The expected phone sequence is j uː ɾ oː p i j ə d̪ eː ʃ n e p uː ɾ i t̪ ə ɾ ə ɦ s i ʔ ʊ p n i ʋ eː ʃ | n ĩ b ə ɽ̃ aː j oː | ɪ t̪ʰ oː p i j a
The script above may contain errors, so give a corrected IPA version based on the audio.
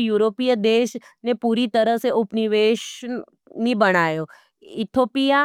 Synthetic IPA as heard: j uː ɾ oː p i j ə d̪ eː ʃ n e p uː ɾ i t̪ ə ɾ ə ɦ s e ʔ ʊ p n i ʋ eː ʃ | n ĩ b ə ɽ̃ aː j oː | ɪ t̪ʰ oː p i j a